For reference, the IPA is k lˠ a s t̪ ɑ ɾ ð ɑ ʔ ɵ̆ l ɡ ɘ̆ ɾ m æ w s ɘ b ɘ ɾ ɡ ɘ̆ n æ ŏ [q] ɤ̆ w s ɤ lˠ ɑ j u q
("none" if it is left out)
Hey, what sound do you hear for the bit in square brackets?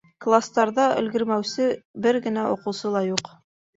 q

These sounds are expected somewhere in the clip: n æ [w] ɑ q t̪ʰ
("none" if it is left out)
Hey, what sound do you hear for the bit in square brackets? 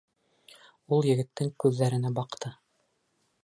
b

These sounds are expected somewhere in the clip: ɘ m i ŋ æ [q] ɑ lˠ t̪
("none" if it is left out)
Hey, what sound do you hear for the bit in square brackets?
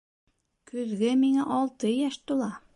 ʔ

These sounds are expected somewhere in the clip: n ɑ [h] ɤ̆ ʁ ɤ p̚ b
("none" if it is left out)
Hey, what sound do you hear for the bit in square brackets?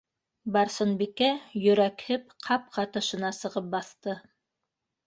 s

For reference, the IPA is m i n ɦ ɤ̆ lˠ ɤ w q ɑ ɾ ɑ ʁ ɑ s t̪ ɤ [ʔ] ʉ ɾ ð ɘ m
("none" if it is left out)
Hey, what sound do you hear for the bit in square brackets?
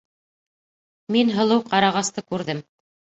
k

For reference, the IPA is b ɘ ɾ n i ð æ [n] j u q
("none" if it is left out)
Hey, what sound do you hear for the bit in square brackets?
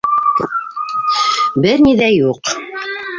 none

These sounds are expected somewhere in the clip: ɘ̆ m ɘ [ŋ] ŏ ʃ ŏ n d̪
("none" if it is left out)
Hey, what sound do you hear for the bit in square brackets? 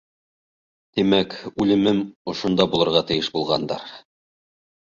m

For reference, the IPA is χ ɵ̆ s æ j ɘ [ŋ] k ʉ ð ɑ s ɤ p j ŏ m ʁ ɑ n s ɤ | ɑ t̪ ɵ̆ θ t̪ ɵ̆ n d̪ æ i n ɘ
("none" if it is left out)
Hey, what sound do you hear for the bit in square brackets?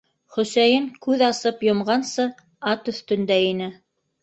ŋ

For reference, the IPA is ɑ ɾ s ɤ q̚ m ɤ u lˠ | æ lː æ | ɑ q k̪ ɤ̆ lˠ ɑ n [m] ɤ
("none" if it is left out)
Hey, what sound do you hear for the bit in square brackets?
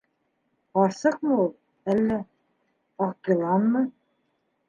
m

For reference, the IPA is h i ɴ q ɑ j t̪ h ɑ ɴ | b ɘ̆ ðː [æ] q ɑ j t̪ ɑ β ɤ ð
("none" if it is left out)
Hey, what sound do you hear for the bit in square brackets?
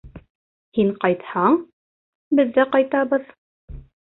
æ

